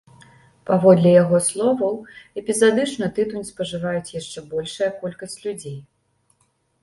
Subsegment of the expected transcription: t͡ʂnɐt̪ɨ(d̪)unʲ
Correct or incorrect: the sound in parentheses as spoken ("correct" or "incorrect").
incorrect